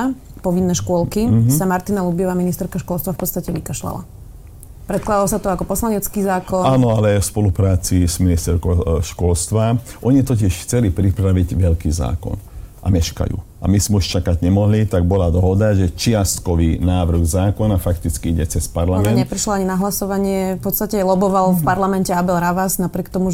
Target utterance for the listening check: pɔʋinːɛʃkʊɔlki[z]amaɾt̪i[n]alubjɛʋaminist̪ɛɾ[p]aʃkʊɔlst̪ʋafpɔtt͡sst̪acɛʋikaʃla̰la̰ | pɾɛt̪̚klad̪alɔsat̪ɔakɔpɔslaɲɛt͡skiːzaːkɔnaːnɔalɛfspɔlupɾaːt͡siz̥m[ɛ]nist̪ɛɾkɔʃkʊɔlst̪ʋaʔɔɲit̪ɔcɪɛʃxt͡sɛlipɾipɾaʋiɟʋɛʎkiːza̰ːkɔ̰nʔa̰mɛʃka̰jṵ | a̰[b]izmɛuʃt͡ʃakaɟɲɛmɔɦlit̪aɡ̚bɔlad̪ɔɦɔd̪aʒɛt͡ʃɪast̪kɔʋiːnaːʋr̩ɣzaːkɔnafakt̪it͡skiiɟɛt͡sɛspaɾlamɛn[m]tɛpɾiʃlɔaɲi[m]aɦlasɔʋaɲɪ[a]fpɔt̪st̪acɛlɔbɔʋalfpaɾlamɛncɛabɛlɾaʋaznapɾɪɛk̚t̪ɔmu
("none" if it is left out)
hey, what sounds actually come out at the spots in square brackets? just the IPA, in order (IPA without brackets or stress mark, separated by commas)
s, n, k, i, m, ɲ, n, ɛ